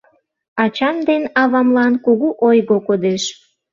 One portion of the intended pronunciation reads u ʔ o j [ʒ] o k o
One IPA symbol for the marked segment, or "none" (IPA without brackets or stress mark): ɣ